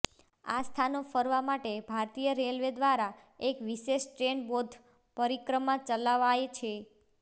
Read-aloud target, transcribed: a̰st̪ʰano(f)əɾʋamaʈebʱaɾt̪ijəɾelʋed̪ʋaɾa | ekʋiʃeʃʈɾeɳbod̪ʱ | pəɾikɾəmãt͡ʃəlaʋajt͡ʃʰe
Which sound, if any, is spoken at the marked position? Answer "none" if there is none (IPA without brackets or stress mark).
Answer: f